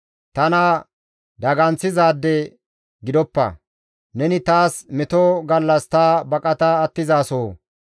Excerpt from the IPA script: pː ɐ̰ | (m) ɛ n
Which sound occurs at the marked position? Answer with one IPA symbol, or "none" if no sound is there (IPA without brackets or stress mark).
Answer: n